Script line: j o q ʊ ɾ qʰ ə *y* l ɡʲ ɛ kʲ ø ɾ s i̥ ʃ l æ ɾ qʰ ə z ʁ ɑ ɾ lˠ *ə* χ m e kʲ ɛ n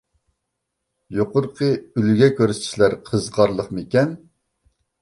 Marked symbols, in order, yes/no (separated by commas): yes, yes